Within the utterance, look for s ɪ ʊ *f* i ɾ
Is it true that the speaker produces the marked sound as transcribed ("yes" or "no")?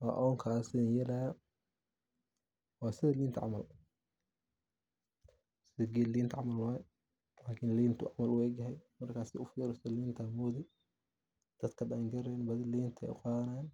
yes